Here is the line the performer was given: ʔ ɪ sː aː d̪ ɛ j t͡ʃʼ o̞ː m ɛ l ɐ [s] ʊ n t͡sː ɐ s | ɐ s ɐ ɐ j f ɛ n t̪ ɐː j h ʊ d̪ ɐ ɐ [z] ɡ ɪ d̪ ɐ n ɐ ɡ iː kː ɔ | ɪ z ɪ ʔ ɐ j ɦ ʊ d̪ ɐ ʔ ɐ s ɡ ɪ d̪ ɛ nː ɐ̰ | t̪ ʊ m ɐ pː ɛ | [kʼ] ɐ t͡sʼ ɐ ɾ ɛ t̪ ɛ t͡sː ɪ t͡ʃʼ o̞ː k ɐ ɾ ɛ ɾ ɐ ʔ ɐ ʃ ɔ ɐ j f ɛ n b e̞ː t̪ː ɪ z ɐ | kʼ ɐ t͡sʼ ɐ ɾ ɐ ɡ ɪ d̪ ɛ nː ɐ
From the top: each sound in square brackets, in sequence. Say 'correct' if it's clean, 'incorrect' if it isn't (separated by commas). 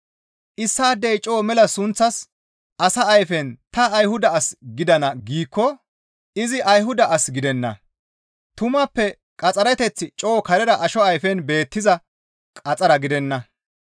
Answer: correct, incorrect, correct